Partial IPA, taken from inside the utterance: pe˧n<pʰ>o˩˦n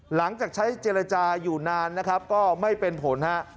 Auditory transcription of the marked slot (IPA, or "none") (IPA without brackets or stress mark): pʰ